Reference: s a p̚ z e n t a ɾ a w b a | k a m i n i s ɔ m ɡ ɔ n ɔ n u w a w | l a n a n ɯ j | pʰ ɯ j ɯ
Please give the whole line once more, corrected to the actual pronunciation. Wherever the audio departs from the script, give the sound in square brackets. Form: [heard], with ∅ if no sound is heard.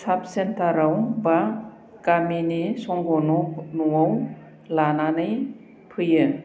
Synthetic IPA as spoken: s a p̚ [s] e n t a ɾ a w b a | k a m i n i s ɔ [ŋ] ɡ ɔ n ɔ n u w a w | l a n a n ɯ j | pʰ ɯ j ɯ